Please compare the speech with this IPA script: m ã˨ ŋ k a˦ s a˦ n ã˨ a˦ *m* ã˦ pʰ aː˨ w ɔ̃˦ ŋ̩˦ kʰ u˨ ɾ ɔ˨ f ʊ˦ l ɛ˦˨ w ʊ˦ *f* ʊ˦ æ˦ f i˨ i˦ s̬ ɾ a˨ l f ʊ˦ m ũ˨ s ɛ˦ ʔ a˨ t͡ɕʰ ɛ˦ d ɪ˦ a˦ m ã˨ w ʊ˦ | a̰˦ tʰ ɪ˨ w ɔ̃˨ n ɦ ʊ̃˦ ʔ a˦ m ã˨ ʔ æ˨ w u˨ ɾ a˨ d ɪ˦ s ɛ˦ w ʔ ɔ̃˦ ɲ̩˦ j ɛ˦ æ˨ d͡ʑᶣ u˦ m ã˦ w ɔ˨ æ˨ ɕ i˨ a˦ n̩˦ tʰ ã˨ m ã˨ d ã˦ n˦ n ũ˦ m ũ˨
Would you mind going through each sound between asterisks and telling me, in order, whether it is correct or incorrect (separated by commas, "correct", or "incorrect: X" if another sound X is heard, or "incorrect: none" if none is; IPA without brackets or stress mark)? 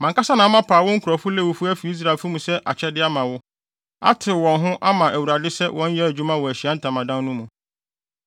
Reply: correct, correct